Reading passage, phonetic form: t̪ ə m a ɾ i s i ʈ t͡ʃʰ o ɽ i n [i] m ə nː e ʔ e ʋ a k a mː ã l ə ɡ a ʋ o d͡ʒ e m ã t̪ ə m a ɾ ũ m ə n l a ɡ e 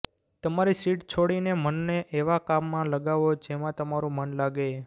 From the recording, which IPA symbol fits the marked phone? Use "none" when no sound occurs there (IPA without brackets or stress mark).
e